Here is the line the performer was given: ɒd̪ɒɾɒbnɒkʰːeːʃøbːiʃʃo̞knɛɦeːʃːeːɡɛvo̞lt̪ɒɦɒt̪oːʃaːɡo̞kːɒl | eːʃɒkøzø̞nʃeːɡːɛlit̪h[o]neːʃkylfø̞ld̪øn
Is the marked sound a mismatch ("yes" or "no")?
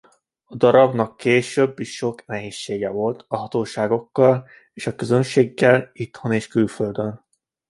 no